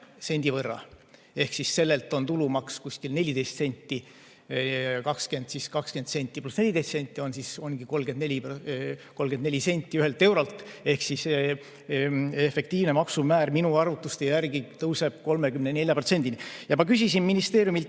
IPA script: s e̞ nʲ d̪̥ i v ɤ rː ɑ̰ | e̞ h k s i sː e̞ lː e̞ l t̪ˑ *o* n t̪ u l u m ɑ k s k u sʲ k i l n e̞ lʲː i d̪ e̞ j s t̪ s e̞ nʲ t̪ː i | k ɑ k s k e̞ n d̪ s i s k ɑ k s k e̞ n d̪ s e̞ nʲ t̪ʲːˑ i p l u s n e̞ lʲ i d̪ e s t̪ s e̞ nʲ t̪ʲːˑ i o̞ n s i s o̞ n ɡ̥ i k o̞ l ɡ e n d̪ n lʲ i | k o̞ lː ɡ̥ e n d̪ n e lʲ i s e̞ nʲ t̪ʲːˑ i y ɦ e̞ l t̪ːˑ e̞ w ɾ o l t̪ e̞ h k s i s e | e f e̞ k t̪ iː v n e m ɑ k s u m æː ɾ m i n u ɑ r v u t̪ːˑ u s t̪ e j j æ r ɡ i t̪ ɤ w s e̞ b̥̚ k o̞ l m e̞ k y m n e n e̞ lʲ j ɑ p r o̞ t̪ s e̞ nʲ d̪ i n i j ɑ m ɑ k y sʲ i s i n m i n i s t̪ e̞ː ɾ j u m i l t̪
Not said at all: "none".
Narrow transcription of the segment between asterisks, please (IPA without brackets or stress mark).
o